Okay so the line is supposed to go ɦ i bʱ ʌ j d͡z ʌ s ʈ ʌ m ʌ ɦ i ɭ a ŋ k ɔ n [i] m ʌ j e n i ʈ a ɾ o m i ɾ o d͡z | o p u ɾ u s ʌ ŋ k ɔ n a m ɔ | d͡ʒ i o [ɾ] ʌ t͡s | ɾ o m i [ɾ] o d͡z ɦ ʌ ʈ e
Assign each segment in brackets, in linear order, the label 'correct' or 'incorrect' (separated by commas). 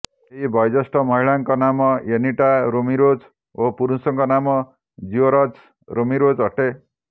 incorrect, correct, correct